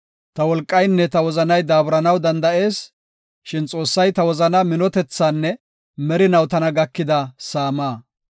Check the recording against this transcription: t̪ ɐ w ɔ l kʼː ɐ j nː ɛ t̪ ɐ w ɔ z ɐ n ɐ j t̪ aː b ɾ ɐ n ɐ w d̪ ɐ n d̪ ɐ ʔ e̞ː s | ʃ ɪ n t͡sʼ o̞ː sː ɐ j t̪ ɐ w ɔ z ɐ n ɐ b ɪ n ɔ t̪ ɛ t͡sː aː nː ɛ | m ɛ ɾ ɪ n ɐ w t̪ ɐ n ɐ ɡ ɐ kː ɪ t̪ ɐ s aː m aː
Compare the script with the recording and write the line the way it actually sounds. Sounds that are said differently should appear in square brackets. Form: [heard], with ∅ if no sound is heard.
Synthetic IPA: t̪ ɐ w ɔ l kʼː ɐ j nː ɛ t̪ ɐ w ɔ z ɐ n ɐ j [d̪] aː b ɾ ɐ n ɐ w d̪ ɐ n d̪ ɐ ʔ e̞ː s | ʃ ɪ n t͡sʼ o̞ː sː ɐ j t̪ ɐ w ɔ z ɐ n ɐ [m] ɪ n ɔ t̪ ɛ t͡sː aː nː ɛ | m ɛ ɾ ɪ n ɐ w t̪ ɐ n ɐ ɡ ɐ kː ɪ [d̪] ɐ s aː m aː